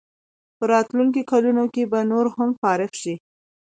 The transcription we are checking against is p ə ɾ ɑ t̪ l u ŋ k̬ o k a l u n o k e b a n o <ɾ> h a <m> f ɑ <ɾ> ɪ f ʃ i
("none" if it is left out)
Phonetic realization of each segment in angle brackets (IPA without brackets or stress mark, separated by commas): ɾ, m, ɾ